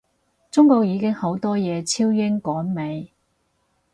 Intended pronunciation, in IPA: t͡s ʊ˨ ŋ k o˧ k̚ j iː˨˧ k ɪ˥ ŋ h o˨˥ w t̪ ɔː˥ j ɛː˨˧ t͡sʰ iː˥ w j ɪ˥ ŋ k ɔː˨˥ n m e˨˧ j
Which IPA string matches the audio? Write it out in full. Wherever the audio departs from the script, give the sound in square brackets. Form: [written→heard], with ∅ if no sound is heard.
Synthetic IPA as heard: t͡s [ʊ˨→ʊ˥] ŋ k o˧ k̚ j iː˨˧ k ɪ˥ ŋ h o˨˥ w t̪ ɔː˥ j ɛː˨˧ t͡sʰ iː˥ w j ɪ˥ ŋ k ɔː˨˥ n m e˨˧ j